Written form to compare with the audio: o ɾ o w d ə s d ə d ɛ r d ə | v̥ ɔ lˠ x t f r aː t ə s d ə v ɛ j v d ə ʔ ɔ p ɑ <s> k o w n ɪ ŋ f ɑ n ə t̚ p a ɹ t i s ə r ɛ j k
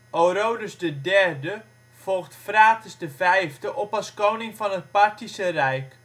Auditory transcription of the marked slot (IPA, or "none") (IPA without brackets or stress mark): s